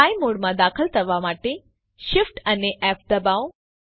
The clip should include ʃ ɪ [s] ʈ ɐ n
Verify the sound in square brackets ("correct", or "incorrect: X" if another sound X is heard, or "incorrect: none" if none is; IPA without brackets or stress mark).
incorrect: f